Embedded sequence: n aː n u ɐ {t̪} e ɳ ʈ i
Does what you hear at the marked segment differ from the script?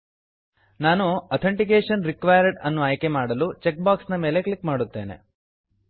yes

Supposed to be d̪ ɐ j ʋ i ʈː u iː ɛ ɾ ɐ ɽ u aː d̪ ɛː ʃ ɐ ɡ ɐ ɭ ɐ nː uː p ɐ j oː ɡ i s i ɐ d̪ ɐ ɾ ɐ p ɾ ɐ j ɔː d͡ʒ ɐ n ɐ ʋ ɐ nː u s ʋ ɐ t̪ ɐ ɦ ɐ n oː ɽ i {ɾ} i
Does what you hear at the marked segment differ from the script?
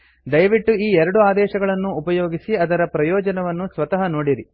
no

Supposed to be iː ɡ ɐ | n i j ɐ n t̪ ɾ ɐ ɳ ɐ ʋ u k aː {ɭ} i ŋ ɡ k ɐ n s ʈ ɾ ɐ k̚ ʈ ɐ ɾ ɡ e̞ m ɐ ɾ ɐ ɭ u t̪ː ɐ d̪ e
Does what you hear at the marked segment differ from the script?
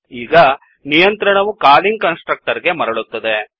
yes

